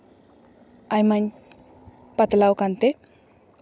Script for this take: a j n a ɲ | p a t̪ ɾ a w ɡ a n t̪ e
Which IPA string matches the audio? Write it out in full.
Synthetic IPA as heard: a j m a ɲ | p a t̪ l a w k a n t̪ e